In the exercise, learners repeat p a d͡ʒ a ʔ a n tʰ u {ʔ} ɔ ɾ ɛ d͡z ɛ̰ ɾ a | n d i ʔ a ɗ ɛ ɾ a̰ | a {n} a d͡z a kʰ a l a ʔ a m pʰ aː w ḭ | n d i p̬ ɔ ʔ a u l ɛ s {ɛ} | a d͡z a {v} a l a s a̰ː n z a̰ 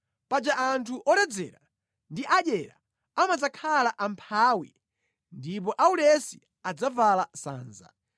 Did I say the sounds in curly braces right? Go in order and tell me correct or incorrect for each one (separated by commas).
correct, incorrect, incorrect, correct